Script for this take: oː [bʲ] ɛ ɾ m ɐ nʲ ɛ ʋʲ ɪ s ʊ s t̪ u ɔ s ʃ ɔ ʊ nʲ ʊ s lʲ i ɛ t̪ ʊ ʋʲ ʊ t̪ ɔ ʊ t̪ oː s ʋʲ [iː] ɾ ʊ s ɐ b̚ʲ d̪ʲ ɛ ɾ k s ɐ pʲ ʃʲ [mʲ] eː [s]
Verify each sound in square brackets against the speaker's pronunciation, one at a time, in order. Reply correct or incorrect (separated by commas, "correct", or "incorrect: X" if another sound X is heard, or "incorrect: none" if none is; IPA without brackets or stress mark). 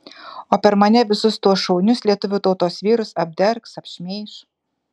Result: incorrect: pʲ, correct, correct, incorrect: ʃ